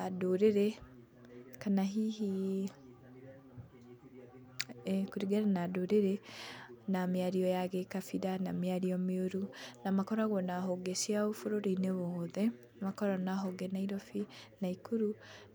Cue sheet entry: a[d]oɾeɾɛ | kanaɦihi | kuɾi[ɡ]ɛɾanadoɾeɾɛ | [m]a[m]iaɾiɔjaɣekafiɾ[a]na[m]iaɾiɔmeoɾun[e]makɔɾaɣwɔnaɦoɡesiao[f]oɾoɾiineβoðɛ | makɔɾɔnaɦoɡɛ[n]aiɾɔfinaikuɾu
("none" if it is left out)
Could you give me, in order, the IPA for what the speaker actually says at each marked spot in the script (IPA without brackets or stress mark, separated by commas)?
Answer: d, ɡ, n, m, a, m, a, f, n